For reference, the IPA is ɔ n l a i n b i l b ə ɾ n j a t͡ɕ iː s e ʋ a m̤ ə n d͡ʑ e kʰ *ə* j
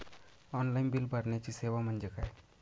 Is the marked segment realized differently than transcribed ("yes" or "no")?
yes